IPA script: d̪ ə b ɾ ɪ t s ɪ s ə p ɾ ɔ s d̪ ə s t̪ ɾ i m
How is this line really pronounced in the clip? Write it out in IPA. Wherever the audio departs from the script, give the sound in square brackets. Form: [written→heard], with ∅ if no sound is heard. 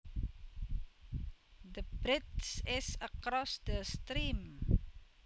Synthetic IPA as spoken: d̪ ə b ɾ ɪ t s ɪ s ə [p→k] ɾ ɔ s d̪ ə s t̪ ɾ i m

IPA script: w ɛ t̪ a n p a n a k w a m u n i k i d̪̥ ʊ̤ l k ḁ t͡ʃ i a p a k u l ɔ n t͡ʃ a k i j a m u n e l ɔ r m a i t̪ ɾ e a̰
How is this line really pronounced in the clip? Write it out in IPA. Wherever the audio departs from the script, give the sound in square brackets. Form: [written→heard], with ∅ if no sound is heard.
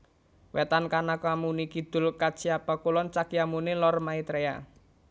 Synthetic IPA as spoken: w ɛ t̪ a n [p→k] a n a k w a m u n i k i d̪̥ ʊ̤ l k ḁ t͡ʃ i a p a k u l ɔ n t͡ʃ a k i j a m u n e l ɔ r m a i t̪ ɾ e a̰

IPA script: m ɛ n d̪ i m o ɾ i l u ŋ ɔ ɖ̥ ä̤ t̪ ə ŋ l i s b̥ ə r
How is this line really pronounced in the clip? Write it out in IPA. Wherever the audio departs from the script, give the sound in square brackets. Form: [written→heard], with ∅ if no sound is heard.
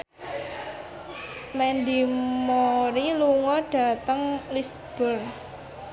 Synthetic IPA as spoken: m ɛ n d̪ i m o ɾ i l u ŋ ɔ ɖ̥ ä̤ t̪ ə ŋ l i s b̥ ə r

